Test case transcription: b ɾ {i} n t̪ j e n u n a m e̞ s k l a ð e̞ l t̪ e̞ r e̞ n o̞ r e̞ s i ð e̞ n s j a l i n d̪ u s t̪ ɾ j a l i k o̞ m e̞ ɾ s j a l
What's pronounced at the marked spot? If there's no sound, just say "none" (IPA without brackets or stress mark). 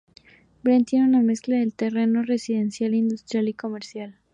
e